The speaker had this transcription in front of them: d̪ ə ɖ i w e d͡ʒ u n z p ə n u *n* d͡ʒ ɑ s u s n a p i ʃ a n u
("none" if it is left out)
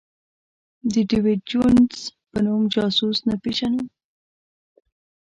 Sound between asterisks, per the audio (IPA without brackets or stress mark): m